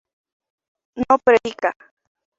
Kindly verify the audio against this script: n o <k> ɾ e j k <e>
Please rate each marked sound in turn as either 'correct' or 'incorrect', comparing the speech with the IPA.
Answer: incorrect: p, incorrect: a

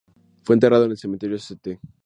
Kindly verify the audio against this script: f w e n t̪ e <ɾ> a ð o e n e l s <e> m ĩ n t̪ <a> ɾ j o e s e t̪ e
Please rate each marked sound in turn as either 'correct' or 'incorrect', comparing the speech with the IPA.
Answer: incorrect: r, correct, incorrect: e

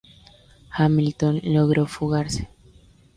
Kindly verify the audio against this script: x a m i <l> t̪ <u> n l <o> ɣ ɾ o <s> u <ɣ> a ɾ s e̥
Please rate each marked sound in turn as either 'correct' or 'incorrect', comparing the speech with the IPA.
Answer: correct, incorrect: o, correct, incorrect: f, correct

